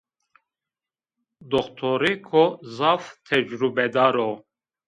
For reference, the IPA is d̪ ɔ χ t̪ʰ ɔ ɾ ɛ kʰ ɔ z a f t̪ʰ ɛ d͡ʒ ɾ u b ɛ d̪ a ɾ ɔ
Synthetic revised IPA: d̪ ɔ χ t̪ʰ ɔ ɾ i kʰ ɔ z a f t̪ʰ ɛ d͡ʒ ɾ u b ɛ d̪ a ɾ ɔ